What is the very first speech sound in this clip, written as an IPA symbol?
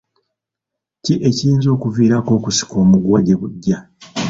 c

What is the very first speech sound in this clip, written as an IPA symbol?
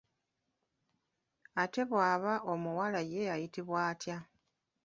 a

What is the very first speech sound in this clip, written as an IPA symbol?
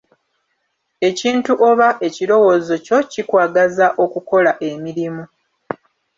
e̞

